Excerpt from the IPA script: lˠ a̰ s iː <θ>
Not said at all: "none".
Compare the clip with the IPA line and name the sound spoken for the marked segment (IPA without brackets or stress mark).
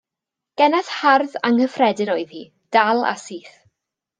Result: θ